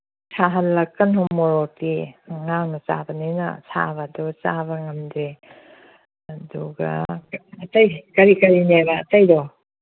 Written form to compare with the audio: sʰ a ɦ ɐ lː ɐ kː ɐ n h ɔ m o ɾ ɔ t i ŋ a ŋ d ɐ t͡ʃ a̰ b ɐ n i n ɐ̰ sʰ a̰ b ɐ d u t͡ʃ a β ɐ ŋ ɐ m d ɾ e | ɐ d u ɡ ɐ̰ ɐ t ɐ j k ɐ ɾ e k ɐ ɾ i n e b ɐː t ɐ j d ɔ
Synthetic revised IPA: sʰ a ɦ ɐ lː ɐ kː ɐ n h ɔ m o ɾ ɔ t i ŋ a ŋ n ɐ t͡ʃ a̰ b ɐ n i n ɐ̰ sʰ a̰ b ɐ d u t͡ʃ a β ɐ ŋ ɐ m d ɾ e | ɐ d u ɡ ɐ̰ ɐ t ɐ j k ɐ ɾ i k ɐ ɾ i n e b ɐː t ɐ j d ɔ